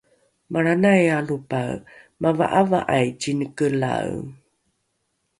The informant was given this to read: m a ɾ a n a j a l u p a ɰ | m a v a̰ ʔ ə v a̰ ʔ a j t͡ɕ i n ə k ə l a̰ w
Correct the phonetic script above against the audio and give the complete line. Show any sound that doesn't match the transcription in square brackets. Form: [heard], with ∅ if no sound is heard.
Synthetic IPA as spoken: m a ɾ a n a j a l u p a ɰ | m a v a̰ ʔ [a] v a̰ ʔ a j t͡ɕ i n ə k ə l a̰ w